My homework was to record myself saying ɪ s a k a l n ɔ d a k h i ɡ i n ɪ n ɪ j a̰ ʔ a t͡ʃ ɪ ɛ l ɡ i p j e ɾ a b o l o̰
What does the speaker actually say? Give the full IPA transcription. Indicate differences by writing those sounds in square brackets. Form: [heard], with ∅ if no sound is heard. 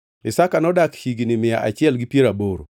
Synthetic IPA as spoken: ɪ s a k a [∅] n ɔ d a k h i ɡ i n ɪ [m] ɪ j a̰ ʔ a t͡ʃ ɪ ɛ l ɡ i p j e ɾ a b o [ɾ] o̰